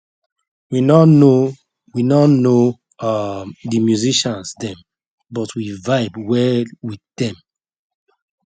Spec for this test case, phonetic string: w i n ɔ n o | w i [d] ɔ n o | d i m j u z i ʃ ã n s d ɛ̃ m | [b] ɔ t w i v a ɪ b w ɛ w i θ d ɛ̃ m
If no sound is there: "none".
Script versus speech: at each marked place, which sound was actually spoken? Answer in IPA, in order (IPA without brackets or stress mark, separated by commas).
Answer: n, b